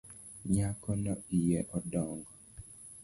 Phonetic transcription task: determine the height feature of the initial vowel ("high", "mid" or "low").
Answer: low